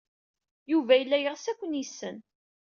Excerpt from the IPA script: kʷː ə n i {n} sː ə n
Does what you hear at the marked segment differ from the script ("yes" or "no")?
yes